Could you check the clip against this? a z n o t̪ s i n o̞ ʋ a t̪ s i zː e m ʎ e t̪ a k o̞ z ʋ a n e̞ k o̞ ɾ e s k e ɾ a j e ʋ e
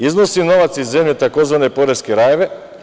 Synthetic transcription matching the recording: i z n o s i n o̞ ʋ a t̪ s i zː e m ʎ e t̪ a k o̞ z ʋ a n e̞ p o̞ ɾ e s k e ɾ a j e ʋ e